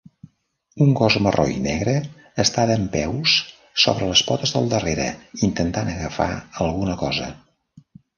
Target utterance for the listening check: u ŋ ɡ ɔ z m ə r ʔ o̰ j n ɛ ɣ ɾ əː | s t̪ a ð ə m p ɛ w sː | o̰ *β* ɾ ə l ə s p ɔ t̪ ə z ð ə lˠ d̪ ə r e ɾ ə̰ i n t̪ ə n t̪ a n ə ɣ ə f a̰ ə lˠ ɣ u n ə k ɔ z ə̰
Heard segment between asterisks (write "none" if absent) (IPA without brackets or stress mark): β